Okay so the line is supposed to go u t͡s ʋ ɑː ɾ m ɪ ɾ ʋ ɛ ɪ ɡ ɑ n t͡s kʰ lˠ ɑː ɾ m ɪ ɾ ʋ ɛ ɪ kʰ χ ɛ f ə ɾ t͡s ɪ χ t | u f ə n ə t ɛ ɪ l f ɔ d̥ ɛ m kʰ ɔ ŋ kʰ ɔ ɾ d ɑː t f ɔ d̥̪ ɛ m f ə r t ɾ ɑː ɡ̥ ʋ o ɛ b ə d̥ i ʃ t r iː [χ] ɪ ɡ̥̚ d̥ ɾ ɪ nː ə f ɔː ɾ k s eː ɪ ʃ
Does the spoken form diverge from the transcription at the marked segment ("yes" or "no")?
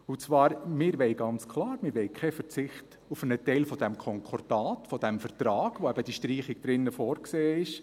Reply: no